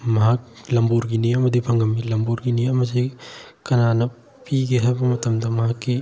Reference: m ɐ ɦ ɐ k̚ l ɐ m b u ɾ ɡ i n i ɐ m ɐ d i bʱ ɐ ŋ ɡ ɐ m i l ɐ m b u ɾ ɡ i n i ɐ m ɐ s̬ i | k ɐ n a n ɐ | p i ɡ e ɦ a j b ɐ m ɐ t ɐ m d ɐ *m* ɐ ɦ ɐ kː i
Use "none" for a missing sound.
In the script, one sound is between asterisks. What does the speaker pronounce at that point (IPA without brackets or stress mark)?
m